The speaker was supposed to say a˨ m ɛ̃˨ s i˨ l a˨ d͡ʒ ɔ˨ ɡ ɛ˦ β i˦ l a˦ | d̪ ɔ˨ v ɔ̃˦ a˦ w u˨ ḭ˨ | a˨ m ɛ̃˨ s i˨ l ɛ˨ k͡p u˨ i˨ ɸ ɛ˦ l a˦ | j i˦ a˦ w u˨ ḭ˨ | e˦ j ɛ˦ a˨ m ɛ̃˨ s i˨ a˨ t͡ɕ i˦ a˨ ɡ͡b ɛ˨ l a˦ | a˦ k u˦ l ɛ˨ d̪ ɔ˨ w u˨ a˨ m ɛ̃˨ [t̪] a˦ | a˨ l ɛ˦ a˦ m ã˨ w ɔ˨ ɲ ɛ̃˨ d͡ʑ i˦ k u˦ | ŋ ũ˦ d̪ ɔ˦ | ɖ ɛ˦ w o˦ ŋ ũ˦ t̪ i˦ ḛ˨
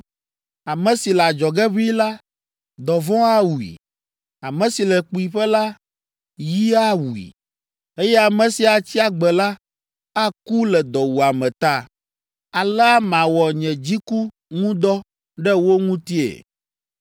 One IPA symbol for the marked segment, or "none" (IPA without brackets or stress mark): t̪